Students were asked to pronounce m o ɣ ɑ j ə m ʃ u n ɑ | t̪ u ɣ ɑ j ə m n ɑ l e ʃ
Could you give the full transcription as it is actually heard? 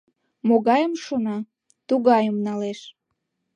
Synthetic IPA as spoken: m o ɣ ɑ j ə m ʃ o n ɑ | t̪ u ɣ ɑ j ə m n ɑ l e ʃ